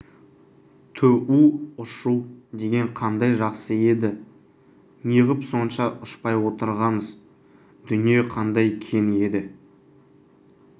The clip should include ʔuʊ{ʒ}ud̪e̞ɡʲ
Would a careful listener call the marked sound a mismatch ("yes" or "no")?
yes